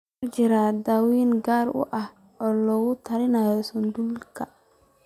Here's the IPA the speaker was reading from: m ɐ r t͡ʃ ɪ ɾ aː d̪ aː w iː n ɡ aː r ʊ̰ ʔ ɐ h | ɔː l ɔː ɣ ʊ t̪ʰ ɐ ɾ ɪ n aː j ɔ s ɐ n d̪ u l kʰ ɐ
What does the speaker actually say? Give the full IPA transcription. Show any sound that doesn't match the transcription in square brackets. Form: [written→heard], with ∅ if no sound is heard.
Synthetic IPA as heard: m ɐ r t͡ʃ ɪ ɾ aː d̪ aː w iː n ɡ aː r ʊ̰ ʔ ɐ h | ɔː l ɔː ɣ ʊ t̪ʰ ɐ ɾ ɪ n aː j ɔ s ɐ n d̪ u l kʰ ɐ